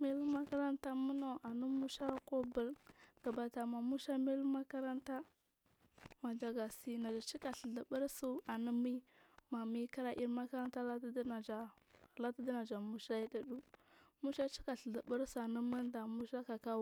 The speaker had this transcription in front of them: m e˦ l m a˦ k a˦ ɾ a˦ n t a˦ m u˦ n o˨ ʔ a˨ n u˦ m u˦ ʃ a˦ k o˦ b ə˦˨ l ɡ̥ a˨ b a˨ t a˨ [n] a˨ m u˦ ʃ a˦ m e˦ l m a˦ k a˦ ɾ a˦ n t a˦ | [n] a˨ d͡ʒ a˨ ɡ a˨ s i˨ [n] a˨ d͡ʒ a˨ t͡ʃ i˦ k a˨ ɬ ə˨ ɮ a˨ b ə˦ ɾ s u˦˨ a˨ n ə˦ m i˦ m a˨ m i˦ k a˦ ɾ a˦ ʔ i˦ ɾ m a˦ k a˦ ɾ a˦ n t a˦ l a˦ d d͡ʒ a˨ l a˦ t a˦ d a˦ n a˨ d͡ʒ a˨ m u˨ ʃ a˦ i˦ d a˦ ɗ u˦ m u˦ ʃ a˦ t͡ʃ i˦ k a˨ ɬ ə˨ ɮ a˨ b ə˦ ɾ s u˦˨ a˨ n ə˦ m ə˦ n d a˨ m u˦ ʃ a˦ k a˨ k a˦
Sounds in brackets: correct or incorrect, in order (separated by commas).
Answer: incorrect, incorrect, correct